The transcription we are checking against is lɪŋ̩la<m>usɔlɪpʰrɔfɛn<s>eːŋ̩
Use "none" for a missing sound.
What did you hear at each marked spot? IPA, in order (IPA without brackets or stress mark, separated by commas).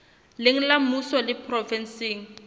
m, s